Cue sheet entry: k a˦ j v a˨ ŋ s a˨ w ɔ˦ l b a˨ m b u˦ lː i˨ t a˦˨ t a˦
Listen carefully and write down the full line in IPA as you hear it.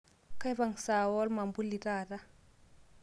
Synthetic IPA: k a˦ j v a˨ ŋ s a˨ w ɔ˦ l m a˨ m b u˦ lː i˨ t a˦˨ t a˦